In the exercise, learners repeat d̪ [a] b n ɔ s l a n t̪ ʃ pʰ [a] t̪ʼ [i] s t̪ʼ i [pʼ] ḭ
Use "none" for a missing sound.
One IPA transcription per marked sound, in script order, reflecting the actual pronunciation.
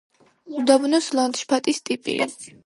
a, a, i, pʼ

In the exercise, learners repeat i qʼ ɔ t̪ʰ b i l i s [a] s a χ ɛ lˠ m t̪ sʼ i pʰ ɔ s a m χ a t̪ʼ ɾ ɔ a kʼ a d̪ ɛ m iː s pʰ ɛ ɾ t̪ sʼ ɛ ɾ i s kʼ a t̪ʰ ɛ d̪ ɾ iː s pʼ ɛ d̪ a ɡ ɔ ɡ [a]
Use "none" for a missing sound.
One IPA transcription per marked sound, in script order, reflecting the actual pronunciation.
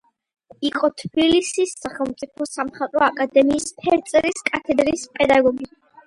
i, i

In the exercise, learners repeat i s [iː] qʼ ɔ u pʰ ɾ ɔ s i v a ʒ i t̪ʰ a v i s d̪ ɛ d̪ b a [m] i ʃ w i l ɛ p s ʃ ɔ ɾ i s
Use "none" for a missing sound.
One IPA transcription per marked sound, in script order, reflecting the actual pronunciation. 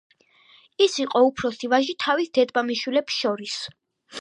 i, m

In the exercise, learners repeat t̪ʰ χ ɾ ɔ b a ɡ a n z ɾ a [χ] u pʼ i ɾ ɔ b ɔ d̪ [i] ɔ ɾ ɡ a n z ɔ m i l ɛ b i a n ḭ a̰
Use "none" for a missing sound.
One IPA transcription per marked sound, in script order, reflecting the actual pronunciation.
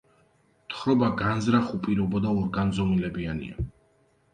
χ, a

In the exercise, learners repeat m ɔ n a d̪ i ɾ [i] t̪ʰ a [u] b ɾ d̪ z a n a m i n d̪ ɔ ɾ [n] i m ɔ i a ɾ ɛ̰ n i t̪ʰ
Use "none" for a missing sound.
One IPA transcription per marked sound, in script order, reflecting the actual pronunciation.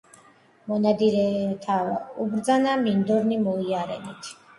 ɛ, u, n

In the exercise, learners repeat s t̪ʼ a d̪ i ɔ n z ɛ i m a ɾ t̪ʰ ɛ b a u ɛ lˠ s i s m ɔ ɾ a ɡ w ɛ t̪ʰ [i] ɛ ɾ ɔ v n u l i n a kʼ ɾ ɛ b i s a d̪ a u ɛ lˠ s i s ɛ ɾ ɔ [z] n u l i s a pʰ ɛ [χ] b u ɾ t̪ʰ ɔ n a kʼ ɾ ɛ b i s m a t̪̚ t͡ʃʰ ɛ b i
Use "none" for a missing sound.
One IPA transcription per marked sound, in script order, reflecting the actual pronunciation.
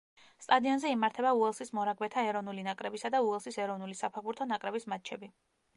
a, v, ʁ

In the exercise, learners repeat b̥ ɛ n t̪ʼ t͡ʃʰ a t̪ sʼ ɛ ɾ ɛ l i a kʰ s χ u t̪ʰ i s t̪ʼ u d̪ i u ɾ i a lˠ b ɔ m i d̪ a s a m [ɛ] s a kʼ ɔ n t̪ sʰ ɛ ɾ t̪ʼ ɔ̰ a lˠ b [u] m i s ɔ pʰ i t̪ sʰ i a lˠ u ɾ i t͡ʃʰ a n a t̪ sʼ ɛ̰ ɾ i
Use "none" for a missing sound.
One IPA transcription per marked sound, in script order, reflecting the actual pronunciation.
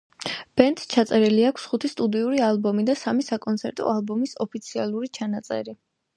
i, ɔ

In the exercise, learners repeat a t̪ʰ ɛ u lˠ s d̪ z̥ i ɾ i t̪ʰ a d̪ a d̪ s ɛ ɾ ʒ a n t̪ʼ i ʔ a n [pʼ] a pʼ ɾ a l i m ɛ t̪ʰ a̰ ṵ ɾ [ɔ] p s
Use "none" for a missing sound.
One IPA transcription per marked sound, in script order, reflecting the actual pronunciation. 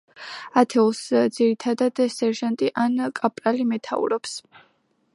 kʼ, ɔ

